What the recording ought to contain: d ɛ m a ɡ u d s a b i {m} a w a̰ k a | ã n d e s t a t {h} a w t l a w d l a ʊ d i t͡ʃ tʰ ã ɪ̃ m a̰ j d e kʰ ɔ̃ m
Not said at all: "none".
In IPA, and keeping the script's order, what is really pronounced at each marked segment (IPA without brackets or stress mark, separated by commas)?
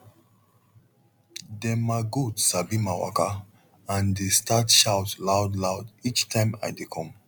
m, ʃ